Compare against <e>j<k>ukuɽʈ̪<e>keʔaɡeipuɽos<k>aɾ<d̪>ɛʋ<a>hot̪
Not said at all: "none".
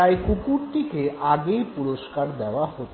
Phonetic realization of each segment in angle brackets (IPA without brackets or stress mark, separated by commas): a, k, i, k, d̪, a